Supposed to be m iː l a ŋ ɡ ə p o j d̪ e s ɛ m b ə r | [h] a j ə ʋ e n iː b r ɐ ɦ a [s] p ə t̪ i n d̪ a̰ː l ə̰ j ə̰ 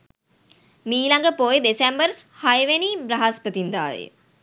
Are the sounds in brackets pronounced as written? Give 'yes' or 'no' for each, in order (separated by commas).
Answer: yes, yes